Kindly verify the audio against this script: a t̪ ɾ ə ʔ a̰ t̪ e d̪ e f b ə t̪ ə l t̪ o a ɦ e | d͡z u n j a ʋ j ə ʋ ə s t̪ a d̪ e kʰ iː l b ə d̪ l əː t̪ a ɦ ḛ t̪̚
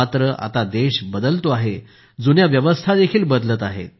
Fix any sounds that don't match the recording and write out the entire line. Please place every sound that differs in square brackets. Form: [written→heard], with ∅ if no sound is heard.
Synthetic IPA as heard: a t̪ ɾ ə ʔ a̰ t̪ [e→a] d̪ e [f→ɕ] b ə [t̪→d̪] ə l t̪ o a ɦ e | d͡z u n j a ʋ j ə ʋ ə s [t̪→t̪ʰ] a d̪ e kʰ iː l b ə d̪ l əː t̪ a ɦ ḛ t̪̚